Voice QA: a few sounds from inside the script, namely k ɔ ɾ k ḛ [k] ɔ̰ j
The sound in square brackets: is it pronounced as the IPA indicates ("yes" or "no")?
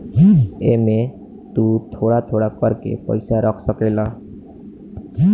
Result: no